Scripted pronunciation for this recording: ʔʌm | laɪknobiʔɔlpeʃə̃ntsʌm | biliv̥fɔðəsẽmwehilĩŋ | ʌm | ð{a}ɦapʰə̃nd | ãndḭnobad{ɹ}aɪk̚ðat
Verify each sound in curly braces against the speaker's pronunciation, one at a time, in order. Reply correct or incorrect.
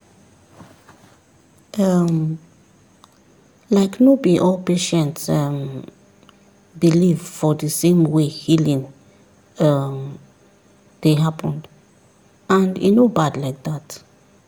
incorrect, incorrect

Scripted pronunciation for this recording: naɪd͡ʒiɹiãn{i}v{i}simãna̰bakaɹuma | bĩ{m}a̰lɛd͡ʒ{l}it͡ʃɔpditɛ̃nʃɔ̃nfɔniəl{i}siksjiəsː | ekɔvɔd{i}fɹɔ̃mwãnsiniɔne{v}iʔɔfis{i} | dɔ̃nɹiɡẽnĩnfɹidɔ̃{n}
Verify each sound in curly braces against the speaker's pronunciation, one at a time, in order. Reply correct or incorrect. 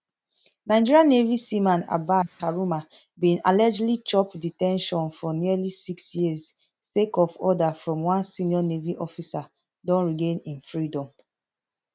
incorrect, correct, incorrect, correct, correct, incorrect, correct, incorrect, incorrect

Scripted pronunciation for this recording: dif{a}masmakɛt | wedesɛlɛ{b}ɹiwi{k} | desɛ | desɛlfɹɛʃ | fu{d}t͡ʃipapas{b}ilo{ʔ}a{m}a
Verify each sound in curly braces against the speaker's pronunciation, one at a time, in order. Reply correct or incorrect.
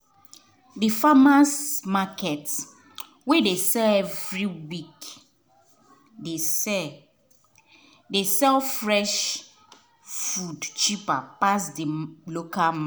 correct, incorrect, correct, correct, incorrect, incorrect, correct

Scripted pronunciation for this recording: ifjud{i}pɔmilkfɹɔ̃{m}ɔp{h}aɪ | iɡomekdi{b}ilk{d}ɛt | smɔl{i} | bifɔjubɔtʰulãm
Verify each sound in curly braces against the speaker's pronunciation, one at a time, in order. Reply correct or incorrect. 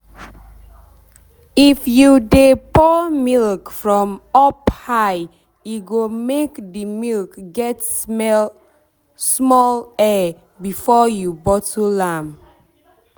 incorrect, correct, correct, incorrect, incorrect, incorrect

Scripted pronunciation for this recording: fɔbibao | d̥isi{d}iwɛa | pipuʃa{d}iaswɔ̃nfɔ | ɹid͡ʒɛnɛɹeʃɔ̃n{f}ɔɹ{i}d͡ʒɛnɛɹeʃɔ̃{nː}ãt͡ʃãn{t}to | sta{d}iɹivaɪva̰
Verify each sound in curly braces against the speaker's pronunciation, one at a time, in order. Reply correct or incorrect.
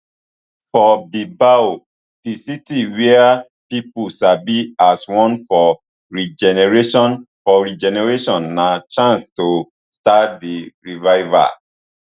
incorrect, incorrect, correct, correct, correct, incorrect, correct

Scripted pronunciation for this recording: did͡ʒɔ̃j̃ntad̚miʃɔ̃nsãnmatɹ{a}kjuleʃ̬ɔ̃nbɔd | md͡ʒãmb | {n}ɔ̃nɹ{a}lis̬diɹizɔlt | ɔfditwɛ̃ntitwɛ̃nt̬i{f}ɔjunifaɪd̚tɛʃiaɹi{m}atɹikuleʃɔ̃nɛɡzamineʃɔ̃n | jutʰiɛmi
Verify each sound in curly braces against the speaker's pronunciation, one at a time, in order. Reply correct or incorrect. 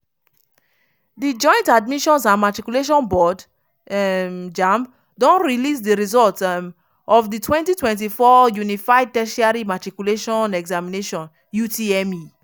incorrect, incorrect, incorrect, correct, correct

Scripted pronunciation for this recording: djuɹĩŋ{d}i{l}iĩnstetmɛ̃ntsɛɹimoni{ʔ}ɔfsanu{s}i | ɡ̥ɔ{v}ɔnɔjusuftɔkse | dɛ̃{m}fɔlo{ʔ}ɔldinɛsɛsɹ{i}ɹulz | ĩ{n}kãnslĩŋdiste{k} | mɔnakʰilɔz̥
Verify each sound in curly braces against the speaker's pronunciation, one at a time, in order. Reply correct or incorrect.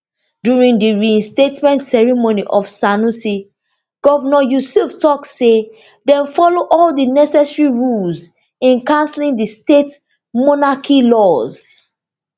correct, incorrect, correct, correct, correct, incorrect, correct, correct, correct, incorrect

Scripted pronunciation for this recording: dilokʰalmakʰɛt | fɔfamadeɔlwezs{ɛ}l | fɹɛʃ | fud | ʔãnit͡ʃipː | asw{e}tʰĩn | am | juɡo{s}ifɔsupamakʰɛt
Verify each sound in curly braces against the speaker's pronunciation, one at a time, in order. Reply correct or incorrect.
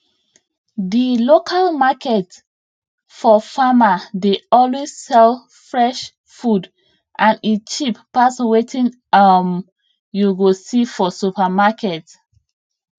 correct, correct, correct

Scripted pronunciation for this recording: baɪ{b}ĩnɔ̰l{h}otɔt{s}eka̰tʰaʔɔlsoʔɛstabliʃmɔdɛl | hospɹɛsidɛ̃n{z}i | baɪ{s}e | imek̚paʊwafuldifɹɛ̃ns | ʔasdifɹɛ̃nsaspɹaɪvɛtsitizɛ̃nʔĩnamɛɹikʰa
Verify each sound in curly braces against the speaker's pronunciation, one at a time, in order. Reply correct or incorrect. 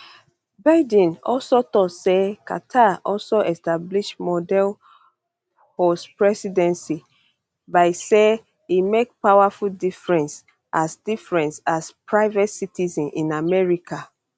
incorrect, incorrect, correct, incorrect, correct

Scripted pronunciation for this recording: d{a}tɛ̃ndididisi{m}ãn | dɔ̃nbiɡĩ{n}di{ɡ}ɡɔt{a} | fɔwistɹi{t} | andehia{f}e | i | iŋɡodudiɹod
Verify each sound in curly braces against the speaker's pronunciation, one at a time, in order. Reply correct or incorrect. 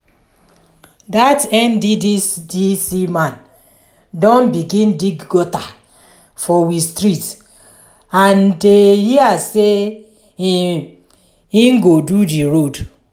correct, correct, correct, correct, correct, correct, incorrect

